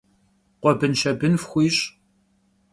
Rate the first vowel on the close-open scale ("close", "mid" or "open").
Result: mid